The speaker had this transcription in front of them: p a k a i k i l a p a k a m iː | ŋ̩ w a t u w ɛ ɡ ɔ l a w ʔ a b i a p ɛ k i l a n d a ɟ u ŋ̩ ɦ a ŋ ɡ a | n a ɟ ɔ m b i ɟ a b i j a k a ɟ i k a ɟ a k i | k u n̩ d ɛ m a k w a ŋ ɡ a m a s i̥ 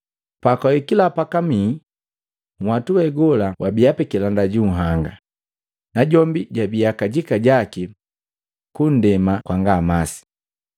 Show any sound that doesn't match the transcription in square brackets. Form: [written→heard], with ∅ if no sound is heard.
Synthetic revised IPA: p a k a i k i l a p a k a m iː | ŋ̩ w a t u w ɛ ɡ ɔ l a w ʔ a b i a p ɛ k i l a n d a ɟ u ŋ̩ ɦ a ŋ ɡ a | n a ɟ ɔ m b i ɟ a b i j a k a ɟ i k a ɟ a k i | k u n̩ d ɛ m a k w a ŋ ɡ a m a s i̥